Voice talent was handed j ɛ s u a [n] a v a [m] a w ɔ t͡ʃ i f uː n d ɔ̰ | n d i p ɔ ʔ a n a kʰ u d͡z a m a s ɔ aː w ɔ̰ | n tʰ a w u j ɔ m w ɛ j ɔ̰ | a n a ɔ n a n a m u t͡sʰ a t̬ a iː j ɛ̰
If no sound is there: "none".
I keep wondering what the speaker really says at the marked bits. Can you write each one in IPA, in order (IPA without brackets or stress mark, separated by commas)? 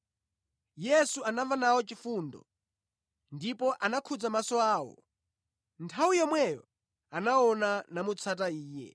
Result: n, n